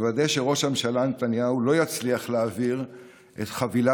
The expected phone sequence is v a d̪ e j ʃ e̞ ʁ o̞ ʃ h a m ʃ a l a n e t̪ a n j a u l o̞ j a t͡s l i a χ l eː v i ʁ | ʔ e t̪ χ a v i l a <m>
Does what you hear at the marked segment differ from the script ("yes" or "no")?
yes